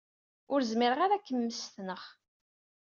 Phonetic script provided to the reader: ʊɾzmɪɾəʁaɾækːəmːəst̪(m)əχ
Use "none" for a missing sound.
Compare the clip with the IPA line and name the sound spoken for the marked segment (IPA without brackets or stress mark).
n